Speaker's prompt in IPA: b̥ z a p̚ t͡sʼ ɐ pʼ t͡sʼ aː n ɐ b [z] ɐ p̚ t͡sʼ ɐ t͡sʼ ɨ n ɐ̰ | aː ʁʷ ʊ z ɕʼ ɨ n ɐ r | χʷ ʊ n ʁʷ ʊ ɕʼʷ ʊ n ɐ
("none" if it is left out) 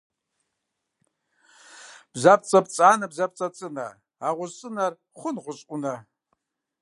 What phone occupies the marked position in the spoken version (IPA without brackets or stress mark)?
z